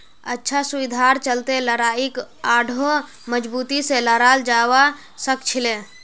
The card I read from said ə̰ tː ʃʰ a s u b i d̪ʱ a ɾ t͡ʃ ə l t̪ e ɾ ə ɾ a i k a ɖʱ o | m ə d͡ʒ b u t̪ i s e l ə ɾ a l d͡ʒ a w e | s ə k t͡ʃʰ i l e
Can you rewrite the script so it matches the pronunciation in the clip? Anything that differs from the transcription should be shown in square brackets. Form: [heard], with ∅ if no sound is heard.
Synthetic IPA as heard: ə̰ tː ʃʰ a s u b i d̪ʱ a ɾ t͡ʃ ə l t̪ e [l] ə ɾ a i k a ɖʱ o | m ə d͡ʒ b u t̪ i s e l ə ɾ a l d͡ʒ a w [a] | s ə k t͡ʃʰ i l e